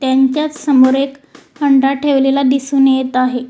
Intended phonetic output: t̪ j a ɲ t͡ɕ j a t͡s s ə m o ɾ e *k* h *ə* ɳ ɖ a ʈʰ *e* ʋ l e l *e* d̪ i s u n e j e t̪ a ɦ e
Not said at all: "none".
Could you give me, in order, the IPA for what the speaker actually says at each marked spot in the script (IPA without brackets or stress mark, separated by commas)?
k, ə, e, a